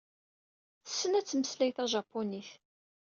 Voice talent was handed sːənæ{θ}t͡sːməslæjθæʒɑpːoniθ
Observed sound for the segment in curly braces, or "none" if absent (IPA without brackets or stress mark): none